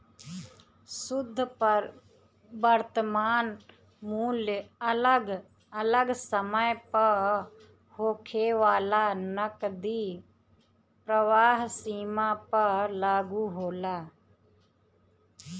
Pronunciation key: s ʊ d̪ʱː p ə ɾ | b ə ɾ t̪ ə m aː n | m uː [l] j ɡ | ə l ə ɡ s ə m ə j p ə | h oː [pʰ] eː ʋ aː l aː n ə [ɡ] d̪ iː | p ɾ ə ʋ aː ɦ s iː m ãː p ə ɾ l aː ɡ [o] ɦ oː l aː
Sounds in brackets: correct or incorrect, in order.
correct, incorrect: kʰ, incorrect: k, incorrect: u

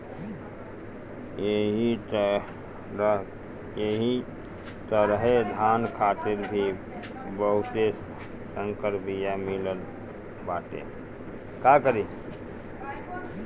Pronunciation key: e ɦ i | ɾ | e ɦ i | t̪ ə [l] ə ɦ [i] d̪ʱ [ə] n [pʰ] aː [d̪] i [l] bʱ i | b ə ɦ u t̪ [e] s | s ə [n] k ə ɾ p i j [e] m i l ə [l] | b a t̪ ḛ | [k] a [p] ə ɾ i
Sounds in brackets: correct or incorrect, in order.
incorrect: ɾ, incorrect: e, incorrect: a, incorrect: kʰ, incorrect: t̪, incorrect: ɾ, correct, incorrect: ŋ, incorrect: a, correct, correct, incorrect: k

